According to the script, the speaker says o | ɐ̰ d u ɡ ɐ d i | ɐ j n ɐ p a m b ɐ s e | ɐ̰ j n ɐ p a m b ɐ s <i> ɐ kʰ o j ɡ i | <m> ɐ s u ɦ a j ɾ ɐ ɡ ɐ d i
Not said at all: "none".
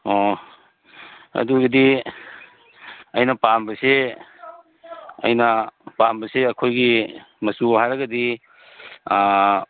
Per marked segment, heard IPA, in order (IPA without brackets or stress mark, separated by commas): e, m